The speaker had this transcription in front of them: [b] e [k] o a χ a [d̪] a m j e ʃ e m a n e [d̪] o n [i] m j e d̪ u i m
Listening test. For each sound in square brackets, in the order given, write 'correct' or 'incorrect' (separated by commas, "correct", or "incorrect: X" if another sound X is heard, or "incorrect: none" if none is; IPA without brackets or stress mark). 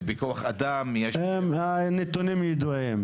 correct, correct, correct, incorrect: t̪, correct